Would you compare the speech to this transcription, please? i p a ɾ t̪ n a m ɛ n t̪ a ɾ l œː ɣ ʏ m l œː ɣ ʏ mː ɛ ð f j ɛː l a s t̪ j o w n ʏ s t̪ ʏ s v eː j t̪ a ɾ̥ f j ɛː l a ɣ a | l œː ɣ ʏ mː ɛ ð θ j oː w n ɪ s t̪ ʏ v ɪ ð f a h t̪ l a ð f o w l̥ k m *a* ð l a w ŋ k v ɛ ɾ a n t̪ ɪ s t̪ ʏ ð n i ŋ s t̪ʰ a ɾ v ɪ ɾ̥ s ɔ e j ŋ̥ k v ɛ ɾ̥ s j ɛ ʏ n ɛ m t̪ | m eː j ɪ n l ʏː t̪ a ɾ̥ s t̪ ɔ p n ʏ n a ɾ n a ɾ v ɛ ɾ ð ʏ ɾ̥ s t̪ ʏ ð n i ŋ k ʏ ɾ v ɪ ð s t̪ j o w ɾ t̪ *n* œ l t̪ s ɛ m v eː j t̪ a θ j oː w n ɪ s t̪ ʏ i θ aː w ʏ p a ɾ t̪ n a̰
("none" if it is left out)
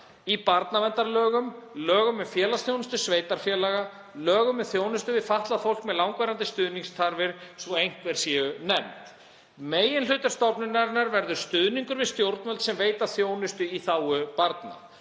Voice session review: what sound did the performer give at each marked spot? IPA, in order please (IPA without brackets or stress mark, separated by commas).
ɛ, m